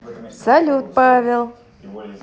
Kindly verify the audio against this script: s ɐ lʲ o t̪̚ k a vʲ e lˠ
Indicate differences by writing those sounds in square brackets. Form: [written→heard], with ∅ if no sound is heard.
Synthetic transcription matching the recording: s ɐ lʲ [o→u] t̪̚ [k→p] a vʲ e lˠ